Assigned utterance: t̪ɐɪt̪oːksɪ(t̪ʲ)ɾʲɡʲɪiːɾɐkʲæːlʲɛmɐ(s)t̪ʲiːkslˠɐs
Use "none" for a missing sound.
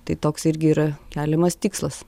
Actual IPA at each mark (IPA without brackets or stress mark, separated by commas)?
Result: none, s